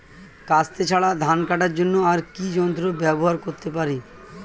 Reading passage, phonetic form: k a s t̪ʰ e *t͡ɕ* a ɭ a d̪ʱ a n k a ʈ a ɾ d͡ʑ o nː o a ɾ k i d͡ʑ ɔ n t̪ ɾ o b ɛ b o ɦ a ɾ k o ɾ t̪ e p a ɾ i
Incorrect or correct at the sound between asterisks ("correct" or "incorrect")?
incorrect